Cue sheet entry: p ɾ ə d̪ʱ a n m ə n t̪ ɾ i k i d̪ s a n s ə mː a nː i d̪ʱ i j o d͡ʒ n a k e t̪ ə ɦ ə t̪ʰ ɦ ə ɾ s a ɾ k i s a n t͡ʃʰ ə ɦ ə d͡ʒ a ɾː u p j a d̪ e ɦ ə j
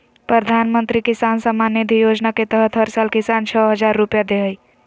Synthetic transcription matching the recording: p ɾ ə d̪ʱ a n m ə n t̪ ɾ i k i s a n s ə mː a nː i d̪ʱ i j o d͡ʒ n a k e t̪ ə ɦ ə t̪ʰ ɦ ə ɾ s a l k i s a n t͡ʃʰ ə ɦ ə d͡ʒ a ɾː u p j a d̪ e ɦ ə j